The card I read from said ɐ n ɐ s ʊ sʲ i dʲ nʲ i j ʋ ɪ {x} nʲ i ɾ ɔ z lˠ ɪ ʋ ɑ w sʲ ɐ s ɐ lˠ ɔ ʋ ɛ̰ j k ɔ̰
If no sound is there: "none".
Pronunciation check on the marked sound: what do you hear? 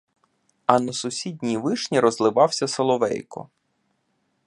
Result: ʃ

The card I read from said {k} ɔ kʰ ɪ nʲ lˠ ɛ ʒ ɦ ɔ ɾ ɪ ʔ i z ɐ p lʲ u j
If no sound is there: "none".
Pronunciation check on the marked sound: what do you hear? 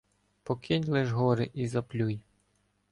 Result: p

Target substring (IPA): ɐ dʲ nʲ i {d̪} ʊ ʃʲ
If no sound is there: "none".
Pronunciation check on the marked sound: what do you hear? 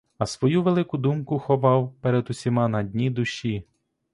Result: d̪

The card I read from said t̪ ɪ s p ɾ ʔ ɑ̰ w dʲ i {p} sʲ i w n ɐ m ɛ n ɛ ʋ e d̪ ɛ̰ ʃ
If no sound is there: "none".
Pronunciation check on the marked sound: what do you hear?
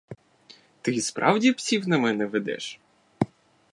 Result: p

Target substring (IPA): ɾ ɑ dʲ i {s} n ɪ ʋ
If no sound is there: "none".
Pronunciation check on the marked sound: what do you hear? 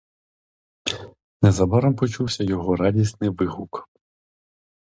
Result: s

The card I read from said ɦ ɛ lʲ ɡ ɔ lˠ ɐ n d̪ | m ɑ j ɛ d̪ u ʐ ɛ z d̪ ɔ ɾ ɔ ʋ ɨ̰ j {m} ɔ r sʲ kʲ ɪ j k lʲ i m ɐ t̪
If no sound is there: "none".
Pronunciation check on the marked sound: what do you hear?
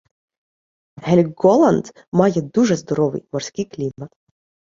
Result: m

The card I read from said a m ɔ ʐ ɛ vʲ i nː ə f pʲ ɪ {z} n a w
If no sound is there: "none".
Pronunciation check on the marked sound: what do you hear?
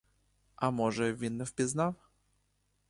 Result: z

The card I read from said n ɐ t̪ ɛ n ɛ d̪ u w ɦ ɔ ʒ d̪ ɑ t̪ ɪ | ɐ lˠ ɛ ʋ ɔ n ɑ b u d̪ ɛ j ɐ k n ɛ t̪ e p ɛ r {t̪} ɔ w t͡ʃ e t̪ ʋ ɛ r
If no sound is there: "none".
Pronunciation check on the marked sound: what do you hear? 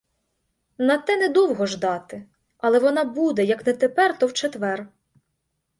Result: t̪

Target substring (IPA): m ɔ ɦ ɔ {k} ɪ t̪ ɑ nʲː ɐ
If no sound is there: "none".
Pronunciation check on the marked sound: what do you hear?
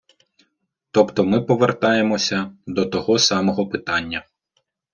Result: p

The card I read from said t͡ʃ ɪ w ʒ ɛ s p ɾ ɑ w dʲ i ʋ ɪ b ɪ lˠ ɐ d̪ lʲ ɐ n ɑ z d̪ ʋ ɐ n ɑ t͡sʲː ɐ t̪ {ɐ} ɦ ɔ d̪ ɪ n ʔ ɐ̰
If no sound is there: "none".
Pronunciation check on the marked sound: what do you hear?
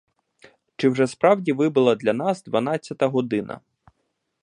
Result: ɐ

